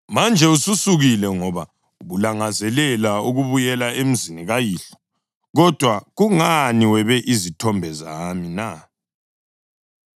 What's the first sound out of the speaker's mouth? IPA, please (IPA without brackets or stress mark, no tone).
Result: m